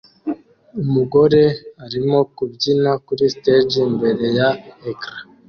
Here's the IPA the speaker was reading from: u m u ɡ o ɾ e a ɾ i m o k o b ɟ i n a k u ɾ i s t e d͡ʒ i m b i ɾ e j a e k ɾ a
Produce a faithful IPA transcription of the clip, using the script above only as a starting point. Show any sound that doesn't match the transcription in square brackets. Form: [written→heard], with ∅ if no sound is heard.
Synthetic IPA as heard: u m u ɡ o ɾ e a ɾ i m o k [o→u] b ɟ i n a k u ɾ i s t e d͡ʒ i m b [i→e] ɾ e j a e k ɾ a